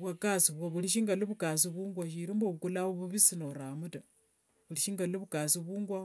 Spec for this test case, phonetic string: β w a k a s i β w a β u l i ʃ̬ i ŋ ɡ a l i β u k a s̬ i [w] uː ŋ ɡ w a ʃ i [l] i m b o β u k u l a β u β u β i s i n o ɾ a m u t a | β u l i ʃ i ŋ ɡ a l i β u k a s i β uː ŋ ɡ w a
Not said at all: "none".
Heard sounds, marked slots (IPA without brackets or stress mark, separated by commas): β, ɾ